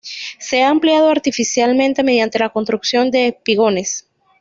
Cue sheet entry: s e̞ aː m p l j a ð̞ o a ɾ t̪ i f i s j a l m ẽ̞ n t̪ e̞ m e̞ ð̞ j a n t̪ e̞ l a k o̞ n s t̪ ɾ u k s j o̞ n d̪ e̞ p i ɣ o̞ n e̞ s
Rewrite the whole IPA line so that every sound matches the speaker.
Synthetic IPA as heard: s e̞ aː m p l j a ð̞ o a ɾ t̪ i f i s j a l m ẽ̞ n t̪ e̞ m e̞ ð̞ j a n t̪ e̞ l a k o̞ n s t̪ ɾ u k s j o̞ n d̪ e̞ p i ɣ o̞ n e̞ s